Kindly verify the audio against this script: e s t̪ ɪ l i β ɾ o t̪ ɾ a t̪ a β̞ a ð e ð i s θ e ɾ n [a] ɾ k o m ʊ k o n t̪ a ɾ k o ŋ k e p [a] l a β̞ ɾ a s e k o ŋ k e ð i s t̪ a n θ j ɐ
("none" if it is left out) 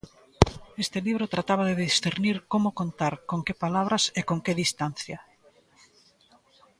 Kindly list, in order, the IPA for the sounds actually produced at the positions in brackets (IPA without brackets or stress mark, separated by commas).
i, a